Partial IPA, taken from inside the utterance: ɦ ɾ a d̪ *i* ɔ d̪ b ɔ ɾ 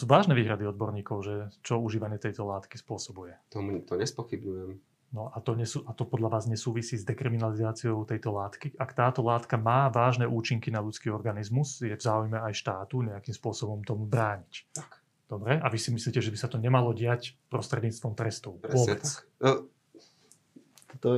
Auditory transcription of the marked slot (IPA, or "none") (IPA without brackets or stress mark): i